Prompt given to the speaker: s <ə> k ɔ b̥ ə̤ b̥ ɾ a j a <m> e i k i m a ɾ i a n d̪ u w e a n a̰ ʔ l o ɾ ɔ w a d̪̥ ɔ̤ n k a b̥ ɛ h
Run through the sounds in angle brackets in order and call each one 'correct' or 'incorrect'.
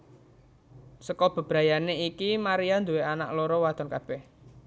correct, incorrect: n

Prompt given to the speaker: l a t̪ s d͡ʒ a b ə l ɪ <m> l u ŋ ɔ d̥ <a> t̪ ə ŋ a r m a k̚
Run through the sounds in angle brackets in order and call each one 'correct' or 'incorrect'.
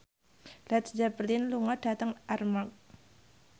incorrect: n, correct

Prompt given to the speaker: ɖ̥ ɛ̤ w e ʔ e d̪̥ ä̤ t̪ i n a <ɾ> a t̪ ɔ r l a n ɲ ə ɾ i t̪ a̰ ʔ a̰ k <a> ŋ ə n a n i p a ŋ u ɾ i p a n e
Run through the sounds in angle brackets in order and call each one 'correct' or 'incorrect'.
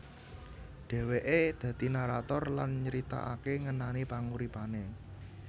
correct, incorrect: e

